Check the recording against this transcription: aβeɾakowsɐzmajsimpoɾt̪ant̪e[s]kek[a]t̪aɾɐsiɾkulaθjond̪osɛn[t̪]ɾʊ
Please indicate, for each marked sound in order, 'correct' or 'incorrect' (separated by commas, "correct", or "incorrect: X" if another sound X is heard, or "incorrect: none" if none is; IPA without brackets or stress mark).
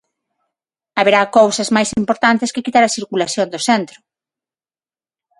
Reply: correct, incorrect: i, correct